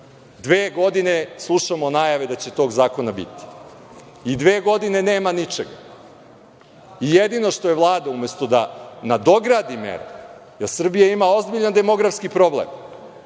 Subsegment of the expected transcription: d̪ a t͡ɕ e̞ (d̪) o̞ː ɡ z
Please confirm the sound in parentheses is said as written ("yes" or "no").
no